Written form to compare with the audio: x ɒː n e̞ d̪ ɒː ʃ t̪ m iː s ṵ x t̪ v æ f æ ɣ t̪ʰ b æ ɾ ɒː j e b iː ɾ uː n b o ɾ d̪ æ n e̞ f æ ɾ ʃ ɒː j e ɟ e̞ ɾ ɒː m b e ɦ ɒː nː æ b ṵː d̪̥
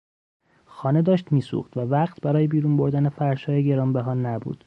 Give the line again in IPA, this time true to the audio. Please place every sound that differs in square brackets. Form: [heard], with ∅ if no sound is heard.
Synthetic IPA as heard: x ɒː n e̞ d̪ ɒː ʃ t̪ m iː s ṵ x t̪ v æ [v] æ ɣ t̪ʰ b æ ɾ ɒː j e b iː ɾ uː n b o ɾ d̪ æ n e̞ f æ ɾ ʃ ɒː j e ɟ e̞ ɾ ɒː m b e ɦ ɒː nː æ b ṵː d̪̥